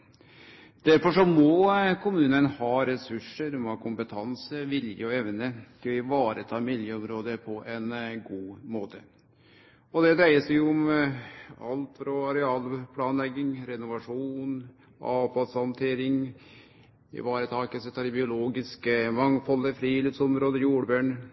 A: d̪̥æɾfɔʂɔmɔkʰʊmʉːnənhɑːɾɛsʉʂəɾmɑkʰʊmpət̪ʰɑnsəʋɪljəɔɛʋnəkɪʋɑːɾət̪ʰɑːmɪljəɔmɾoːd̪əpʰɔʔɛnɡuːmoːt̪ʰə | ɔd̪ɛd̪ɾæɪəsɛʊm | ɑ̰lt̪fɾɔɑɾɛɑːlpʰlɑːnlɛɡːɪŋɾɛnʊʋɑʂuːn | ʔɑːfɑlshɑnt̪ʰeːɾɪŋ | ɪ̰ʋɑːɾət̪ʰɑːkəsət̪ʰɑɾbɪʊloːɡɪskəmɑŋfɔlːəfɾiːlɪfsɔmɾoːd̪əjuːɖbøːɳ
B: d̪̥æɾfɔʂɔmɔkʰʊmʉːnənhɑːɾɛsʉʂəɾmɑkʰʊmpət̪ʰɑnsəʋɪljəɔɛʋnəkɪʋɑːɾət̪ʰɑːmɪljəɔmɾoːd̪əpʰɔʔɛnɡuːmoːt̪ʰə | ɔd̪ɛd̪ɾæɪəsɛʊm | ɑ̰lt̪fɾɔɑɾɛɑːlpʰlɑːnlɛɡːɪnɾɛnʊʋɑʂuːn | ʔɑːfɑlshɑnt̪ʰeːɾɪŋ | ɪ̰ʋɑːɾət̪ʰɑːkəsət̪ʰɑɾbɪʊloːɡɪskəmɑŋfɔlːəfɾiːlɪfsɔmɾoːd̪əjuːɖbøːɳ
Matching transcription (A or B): A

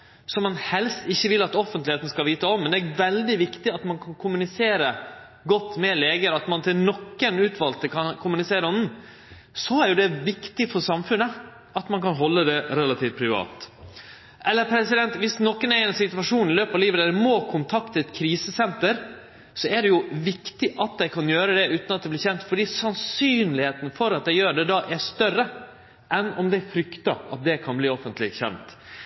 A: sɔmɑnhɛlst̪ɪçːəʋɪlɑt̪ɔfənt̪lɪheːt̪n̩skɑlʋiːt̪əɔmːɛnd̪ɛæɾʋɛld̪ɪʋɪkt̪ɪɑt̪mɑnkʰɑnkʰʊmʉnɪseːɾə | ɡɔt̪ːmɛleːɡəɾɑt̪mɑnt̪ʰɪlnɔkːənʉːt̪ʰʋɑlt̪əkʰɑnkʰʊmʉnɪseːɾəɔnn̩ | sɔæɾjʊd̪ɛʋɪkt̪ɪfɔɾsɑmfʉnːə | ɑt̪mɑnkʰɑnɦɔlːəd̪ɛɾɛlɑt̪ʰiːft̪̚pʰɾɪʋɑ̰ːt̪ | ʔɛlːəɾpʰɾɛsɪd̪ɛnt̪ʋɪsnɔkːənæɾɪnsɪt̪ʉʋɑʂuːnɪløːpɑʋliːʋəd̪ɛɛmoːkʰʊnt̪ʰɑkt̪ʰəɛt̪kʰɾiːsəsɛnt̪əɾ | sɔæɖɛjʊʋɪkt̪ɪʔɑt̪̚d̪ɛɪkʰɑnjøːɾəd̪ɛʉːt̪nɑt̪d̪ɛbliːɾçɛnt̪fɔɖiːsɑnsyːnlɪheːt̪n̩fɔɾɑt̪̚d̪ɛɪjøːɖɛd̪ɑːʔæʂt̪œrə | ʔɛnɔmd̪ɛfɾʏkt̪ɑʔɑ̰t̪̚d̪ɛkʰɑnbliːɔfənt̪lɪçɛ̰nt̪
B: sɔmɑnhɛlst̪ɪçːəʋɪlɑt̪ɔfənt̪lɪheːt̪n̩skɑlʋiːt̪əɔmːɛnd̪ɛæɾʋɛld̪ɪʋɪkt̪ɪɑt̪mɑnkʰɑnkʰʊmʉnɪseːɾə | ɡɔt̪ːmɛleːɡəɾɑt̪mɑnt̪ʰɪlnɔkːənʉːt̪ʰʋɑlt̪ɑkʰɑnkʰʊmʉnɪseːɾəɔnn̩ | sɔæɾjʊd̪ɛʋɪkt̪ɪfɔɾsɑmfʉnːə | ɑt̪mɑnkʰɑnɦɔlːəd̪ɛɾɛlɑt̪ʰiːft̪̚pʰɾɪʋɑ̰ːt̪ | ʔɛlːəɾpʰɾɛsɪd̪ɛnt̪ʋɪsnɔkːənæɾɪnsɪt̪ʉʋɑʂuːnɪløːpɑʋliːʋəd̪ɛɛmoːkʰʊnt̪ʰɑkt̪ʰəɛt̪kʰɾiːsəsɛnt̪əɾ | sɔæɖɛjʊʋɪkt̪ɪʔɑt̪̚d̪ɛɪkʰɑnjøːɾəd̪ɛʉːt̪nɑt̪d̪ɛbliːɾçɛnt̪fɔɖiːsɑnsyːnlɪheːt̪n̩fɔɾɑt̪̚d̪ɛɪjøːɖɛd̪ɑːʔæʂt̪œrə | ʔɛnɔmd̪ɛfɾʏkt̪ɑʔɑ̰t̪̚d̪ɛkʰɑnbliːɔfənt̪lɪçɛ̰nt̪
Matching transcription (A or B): A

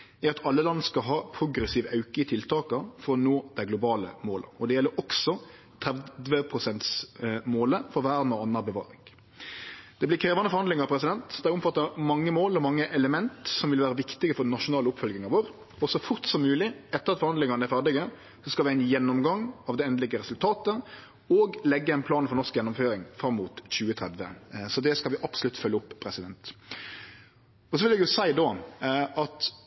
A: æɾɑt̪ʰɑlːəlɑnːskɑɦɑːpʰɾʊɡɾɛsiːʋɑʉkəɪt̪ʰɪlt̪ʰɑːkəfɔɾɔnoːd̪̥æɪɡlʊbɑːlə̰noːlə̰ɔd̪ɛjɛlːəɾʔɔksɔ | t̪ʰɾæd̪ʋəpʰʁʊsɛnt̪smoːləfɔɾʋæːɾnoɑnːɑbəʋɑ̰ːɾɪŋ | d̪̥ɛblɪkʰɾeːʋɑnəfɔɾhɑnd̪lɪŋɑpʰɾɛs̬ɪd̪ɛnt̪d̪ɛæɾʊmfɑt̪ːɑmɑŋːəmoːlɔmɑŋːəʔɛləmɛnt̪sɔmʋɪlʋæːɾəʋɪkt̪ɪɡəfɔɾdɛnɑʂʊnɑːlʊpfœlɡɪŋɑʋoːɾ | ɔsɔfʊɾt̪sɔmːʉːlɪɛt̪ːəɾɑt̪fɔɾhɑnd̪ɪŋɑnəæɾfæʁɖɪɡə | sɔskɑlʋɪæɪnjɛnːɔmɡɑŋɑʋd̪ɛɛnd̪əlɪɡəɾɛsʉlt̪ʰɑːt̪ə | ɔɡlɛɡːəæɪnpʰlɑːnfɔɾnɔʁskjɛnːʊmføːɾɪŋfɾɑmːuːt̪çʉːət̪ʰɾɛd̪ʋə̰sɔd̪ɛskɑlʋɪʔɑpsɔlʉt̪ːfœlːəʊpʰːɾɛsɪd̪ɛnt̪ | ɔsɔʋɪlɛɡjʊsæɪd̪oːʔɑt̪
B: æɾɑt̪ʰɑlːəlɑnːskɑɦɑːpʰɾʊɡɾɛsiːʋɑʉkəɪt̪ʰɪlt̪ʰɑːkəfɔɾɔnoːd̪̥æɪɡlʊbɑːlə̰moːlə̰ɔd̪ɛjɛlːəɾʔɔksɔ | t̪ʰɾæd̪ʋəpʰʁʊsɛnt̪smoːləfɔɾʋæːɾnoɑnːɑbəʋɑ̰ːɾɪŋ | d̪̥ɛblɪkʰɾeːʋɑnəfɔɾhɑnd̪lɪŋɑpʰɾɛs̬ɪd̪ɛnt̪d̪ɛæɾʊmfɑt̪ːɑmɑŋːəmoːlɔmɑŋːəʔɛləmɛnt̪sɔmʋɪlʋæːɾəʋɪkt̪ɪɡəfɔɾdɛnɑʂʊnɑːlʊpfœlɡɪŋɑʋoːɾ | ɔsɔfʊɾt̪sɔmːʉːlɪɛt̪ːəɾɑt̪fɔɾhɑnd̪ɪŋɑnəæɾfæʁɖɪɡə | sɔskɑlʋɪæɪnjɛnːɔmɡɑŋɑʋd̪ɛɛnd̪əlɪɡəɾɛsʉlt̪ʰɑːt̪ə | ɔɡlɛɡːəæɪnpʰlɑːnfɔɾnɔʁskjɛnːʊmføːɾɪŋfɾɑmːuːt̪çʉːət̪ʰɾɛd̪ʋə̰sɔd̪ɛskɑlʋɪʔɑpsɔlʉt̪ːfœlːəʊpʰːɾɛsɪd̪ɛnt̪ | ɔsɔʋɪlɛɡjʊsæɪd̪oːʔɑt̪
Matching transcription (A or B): B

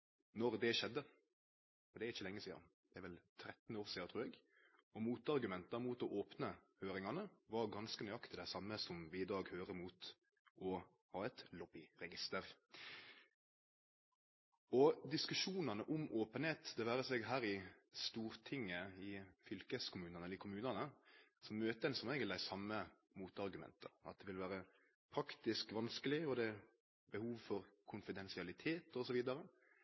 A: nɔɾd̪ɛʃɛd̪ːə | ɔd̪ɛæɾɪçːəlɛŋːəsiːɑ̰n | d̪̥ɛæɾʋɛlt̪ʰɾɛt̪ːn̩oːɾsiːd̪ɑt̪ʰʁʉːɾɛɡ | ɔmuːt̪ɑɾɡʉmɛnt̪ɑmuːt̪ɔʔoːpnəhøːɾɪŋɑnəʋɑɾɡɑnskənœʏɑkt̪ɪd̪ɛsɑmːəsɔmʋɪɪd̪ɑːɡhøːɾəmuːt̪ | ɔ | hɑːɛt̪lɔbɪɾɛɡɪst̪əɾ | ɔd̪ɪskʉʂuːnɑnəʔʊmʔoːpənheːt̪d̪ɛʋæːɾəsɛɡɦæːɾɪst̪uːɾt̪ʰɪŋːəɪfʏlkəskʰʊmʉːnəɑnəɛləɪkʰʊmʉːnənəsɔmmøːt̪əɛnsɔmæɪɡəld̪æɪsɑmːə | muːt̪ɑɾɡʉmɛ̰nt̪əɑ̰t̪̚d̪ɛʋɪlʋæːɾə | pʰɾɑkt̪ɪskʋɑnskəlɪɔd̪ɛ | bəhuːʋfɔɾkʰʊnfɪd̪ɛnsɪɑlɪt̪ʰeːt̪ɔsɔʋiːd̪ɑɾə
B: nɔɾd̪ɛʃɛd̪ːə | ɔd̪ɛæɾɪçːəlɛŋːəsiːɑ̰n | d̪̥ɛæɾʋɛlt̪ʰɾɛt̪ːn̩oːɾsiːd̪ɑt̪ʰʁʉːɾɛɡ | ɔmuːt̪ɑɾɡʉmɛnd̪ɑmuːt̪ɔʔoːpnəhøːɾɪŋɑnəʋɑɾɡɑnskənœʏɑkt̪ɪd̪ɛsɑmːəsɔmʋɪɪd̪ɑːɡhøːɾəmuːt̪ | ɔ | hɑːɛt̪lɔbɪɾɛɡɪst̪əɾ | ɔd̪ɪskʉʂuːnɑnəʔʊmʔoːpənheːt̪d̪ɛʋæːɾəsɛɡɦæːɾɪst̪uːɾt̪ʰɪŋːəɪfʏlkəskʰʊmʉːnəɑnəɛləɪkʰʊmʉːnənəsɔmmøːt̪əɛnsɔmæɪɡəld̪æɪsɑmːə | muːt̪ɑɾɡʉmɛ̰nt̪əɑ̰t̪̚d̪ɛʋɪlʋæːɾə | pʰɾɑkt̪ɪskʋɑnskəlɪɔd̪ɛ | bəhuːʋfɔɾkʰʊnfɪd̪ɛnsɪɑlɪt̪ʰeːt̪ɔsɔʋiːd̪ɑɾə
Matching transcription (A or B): A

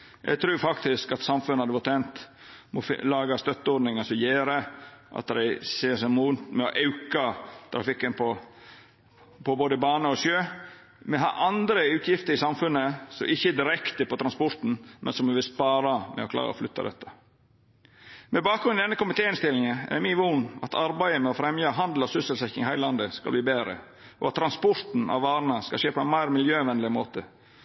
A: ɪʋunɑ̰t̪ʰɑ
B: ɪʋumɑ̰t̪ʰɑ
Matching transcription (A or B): A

